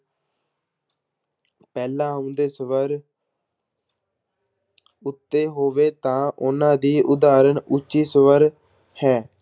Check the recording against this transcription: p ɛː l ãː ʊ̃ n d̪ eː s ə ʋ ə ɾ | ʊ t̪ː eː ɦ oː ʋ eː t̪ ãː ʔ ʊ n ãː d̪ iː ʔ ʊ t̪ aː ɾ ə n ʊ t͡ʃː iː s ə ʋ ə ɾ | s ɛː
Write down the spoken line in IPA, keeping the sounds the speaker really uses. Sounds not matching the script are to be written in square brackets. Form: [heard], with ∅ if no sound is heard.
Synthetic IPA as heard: p ɛː l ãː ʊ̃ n d̪ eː s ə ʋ ə ɾ | ʊ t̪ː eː ɦ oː ʋ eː t̪ ãː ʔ ʊ n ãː d̪ iː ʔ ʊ [d̪] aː ɾ ə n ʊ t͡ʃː iː s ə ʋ ə ɾ | [h] ɛː